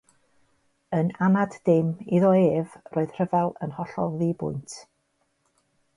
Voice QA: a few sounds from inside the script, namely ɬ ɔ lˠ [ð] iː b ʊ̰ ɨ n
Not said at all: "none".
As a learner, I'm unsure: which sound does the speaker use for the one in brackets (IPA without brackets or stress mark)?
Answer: ð